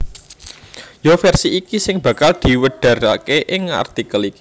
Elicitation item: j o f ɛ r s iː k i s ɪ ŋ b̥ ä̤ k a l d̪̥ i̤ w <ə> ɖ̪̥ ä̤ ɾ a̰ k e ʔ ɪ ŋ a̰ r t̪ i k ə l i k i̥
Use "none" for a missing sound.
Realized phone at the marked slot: ə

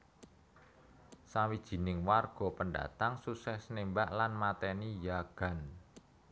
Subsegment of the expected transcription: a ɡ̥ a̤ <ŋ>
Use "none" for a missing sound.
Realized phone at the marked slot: n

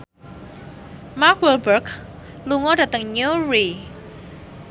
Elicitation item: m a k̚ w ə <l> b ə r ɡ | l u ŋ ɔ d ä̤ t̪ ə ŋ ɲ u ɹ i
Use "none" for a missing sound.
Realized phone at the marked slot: l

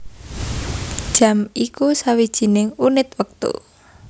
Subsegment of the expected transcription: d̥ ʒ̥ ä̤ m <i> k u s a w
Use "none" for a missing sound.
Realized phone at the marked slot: i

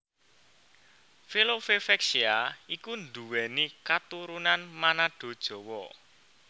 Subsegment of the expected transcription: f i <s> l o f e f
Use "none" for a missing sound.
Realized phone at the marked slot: none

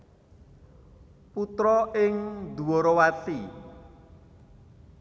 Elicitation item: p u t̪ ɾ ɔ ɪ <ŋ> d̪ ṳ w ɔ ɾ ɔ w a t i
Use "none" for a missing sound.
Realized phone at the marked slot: ŋ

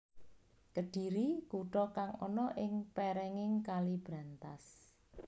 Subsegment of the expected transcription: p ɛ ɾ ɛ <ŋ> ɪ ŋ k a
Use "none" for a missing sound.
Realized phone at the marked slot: ŋ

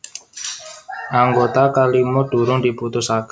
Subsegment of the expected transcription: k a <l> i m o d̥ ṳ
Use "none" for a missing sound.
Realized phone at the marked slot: l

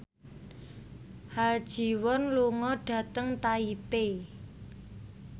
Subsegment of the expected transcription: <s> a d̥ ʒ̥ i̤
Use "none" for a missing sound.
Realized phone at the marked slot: h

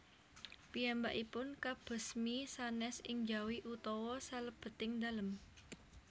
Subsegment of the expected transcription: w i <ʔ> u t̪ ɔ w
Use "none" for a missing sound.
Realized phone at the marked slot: ʔ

